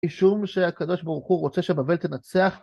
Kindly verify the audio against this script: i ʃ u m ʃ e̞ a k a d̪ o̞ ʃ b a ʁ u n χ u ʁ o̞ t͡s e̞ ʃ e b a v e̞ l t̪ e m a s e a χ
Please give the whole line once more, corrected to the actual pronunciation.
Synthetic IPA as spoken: i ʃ u m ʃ e̞ a k a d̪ o̞ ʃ b a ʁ u χ u ʁ o̞ t͡s e̞ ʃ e b a v e̞ l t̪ e n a t͡s e a χ